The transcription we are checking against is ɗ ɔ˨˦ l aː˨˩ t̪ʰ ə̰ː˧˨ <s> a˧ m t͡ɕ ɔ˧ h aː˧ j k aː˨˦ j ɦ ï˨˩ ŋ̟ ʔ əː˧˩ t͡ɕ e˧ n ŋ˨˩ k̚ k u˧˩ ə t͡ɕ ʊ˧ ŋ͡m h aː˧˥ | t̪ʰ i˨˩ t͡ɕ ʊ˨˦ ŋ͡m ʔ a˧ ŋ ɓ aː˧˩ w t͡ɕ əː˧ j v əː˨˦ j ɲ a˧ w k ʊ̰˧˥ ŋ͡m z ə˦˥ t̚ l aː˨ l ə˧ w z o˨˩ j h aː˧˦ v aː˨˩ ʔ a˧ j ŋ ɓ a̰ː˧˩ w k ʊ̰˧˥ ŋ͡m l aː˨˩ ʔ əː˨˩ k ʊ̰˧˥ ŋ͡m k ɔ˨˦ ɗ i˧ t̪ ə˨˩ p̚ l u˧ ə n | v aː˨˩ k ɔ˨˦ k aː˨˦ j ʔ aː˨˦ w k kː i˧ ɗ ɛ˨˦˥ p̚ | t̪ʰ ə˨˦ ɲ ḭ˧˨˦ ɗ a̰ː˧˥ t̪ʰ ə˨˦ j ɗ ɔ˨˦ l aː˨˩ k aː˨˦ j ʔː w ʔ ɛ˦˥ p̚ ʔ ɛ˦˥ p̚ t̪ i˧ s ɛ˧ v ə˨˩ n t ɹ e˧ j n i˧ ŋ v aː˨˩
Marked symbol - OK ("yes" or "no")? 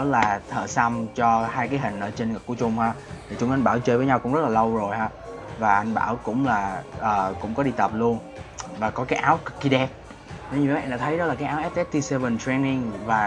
yes